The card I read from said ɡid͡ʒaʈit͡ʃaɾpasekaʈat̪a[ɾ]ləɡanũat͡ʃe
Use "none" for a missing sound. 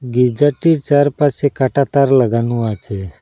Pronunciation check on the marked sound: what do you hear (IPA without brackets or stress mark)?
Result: ɾ